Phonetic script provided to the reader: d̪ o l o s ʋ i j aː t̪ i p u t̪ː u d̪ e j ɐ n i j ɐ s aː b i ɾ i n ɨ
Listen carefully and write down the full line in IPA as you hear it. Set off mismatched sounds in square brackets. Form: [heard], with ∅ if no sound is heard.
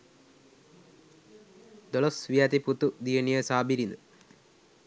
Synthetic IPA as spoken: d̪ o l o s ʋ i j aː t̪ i p u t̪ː u d̪ [i] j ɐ n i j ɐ s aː b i ɾ i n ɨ